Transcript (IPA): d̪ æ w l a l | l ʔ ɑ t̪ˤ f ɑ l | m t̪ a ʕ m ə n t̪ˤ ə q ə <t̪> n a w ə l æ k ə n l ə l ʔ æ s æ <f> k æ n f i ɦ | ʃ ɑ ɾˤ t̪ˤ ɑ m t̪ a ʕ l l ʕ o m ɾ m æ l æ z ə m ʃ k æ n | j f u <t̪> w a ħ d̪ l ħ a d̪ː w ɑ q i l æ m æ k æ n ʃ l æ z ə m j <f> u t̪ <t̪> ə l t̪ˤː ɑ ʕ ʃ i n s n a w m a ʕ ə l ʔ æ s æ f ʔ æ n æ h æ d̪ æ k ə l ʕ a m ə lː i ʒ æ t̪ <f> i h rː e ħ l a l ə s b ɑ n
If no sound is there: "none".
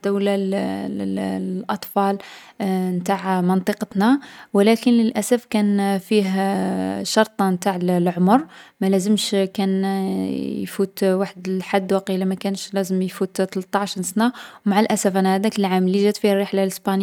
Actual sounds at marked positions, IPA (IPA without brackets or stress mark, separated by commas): t̪, f, t̪, f, t̪, f